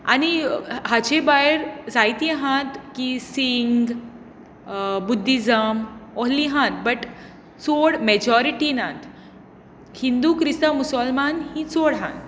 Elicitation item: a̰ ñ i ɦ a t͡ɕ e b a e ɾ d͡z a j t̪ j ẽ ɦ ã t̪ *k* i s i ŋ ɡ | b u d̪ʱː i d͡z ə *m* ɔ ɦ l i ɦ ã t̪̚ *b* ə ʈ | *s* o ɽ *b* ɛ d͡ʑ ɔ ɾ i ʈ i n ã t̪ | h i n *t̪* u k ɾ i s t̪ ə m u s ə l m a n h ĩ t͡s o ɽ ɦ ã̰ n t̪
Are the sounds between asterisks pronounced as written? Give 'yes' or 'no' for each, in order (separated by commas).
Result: yes, yes, yes, no, no, no